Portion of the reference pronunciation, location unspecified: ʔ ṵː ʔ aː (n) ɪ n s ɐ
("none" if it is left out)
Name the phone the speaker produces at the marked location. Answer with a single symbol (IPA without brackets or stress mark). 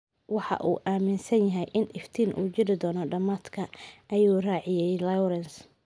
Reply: m